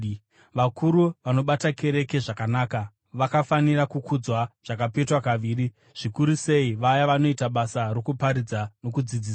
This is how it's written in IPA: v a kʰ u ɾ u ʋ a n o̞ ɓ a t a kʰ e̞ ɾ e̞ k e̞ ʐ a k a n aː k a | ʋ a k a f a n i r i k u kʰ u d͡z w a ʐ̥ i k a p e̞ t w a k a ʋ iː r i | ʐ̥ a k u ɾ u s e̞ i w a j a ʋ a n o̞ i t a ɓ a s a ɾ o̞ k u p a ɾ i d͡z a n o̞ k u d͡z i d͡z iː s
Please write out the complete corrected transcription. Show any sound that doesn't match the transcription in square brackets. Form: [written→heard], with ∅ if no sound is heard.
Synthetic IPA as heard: [v→ʋ] a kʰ u ɾ u ʋ a n o̞ ɓ a t a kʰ e̞ ɾ e̞ k e̞ ʐ a k a n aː k a | ʋ a k a f a n i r [i→a] k u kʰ u d͡z w a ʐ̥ [i→a] k a p e̞ t w a k a ʋ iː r i | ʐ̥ [a→i] k u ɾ u s e̞ i [w→ʋ] a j a ʋ a n o̞ i t a ɓ a s a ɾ o̞ k u p a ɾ i d͡z a n o̞ k u d͡z i d͡z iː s

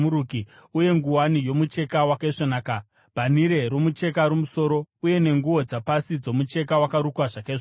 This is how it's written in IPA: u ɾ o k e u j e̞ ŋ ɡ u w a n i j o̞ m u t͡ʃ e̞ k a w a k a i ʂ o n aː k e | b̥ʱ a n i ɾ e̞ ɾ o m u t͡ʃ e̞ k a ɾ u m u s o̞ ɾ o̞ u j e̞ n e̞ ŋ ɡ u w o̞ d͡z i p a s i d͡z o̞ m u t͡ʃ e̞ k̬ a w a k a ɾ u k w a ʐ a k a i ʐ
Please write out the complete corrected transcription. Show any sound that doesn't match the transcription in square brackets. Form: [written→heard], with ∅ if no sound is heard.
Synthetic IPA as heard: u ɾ [o→u] k [e→i] u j e̞ ŋ ɡ u w a n i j o̞ m u t͡ʃ e̞ k a w a k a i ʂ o n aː k [e→a] | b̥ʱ a n i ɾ e̞ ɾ o m u t͡ʃ e̞ k a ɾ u m u s o̞ ɾ o̞ u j e̞ n e̞ ŋ ɡ u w o̞ d͡z [i→a] p a s i d͡z o̞ m u t͡ʃ e̞ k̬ a w a k a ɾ u k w a ʐ a k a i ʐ

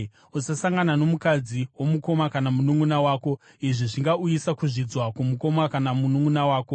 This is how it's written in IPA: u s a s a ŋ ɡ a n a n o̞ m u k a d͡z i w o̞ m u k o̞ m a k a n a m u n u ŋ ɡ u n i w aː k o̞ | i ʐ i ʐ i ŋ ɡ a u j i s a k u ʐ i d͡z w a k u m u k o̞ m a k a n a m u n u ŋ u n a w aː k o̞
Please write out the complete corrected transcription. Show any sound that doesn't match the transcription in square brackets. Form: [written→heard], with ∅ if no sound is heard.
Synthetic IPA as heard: u s a s a ŋ ɡ a n a n o̞ m u k a d͡z i w o̞ m u k o̞ m a k a n a m u n u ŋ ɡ u n [i→a] w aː k o̞ | i ʐ i ʐ i ŋ ɡ a u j i s a k u ʐ i d͡z w a k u m u k o̞ m a k a n a m u n u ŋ u n a w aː k o̞

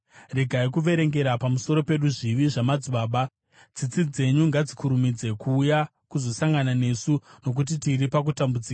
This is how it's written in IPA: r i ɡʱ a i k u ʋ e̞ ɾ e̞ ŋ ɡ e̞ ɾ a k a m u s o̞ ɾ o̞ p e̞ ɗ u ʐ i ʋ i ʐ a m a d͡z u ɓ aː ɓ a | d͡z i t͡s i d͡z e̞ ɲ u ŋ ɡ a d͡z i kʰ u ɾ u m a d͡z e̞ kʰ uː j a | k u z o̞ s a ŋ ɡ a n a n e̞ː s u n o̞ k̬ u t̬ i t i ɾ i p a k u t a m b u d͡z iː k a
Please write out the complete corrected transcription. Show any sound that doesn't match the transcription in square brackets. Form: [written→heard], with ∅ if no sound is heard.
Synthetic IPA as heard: r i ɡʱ a i k u ʋ e̞ ɾ e̞ ŋ ɡ e̞ ɾ a [k→p] a m u s o̞ ɾ o̞ p e̞ ɗ u ʐ i ʋ i ʐ a m a d͡z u ɓ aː ɓ a | d͡z i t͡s i d͡z e̞ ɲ u ŋ ɡ a d͡z i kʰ u ɾ u m [a→i] d͡z e̞ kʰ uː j a | k u z o̞ s a ŋ ɡ a n a n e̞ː s u n o̞ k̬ u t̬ i t i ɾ i p a k u t a m b u d͡z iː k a

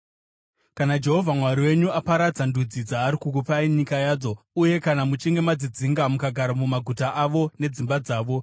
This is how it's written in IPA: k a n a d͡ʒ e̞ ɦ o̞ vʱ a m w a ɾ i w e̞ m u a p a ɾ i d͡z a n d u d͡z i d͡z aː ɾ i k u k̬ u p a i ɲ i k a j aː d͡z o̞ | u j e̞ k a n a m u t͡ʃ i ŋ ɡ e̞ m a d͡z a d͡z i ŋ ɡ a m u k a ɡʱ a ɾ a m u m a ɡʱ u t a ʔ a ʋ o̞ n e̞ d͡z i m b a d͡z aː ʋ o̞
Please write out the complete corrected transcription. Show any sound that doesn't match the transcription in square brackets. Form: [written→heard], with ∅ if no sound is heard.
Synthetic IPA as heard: k a n a d͡ʒ e̞ ɦ o̞ vʱ a m w a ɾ i w e̞ [m→ɲ] u a p a ɾ [i→a] d͡z a n d u d͡z i d͡z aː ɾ i k u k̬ u p a i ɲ i k a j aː d͡z o̞ | u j e̞ k a n a m u t͡ʃ i ŋ ɡ e̞ m a d͡z [a→i] d͡z i ŋ ɡ a m u k a ɡʱ a ɾ a m u m a ɡʱ u t a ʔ a ʋ o̞ n e̞ d͡z i m b a d͡z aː ʋ o̞

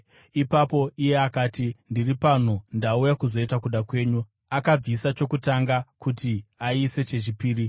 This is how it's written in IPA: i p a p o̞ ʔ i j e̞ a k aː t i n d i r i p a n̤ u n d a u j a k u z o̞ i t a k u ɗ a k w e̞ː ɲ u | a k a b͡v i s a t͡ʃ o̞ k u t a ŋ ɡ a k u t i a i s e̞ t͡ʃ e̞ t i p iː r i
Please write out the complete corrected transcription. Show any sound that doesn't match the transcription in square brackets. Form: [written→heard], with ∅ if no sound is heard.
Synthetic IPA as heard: i p a p o̞ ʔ i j e̞ a k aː t i n d i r i p a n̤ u n d a u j a k u z o̞ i t a k u ɗ a k w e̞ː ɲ u | a k a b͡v i s a t͡ʃ o̞ k u t a ŋ ɡ a k u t i a i s e̞ t͡ʃ e̞ [t→t͡ʃ] i p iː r i

